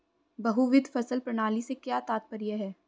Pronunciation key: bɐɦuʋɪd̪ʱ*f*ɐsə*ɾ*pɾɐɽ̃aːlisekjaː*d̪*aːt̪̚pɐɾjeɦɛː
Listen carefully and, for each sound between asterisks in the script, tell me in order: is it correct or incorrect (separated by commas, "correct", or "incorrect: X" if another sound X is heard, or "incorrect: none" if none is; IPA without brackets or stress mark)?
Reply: correct, incorrect: l, incorrect: t̪